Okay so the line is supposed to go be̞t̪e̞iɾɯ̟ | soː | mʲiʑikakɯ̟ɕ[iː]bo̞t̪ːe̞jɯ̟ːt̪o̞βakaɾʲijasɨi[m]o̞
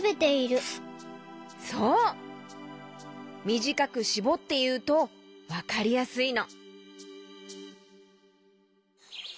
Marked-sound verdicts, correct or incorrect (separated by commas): incorrect, incorrect